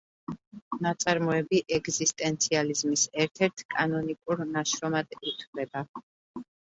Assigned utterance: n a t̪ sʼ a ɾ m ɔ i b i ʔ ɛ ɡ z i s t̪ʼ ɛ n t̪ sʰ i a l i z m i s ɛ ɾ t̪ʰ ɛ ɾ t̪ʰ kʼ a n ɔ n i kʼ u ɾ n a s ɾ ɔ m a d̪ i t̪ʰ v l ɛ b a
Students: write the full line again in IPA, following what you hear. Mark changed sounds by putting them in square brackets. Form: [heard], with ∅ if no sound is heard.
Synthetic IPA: n a t̪ sʼ a ɾ m ɔ [ɛ] b i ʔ ɛ ɡ z i s t̪ʼ ɛ n t̪ sʰ i a l i z m i s ɛ ɾ t̪ʰ ɛ ɾ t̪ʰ kʼ a n ɔ n i kʼ u ɾ n a [ʃ] ɾ ɔ m a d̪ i t̪ʰ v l ɛ b a